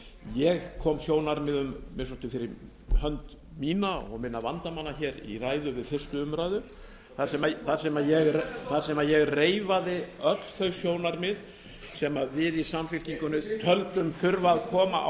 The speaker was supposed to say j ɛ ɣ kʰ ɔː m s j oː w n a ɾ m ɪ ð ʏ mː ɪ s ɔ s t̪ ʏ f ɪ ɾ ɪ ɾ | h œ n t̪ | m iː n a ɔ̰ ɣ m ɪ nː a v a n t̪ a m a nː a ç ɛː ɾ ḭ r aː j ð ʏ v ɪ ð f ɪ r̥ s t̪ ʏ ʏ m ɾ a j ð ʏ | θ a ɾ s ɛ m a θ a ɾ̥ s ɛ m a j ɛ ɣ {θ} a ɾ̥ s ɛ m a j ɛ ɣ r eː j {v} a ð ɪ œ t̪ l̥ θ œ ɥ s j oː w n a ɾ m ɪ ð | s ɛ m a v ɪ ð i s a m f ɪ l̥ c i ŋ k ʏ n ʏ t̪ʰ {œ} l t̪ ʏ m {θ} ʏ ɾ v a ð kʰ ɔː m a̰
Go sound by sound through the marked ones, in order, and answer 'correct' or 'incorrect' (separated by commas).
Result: correct, correct, correct, incorrect